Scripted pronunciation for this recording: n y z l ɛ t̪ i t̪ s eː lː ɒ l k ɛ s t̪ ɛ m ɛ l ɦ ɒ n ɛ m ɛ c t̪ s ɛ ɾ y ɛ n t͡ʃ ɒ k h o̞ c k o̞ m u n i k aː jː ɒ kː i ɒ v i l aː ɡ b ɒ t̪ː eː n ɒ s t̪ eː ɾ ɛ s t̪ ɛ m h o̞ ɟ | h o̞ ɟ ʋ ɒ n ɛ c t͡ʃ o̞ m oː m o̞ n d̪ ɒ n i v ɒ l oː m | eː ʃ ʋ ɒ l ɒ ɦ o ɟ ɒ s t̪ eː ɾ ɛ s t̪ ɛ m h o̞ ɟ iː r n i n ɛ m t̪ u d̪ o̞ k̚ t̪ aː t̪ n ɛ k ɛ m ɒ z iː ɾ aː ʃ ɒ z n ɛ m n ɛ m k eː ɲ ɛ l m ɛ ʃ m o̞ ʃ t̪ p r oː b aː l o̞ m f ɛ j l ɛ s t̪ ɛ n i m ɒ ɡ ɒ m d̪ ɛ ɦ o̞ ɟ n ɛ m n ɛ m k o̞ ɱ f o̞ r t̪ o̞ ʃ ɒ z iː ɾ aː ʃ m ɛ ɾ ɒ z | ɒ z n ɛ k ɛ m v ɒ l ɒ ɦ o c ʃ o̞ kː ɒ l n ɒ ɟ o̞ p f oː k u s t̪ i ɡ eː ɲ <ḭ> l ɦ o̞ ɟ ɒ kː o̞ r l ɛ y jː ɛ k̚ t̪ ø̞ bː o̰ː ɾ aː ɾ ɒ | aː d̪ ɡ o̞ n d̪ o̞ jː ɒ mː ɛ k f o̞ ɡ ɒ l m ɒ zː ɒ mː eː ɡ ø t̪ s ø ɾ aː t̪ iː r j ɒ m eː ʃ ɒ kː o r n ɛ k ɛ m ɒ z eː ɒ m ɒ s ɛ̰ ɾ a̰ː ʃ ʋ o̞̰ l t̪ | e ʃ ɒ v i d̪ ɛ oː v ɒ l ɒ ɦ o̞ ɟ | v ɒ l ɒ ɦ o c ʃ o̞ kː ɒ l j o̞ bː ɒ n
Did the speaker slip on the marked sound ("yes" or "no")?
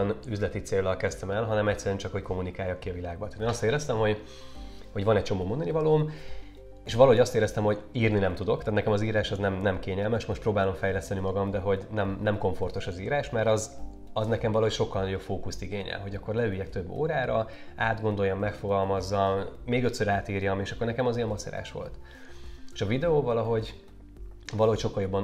yes